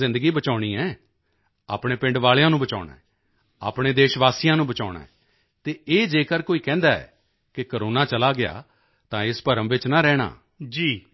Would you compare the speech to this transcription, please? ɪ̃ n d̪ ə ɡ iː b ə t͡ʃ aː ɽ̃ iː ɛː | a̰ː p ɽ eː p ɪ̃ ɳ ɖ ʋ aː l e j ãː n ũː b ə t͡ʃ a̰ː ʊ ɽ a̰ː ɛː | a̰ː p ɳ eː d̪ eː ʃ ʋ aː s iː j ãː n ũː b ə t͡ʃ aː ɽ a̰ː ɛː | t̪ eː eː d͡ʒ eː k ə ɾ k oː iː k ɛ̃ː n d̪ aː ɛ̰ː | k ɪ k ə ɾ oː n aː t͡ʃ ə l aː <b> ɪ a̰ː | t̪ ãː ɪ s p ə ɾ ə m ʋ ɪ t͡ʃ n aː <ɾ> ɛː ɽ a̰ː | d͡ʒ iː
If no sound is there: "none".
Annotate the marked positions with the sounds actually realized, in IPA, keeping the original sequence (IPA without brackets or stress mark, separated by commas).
ɡ, ɾ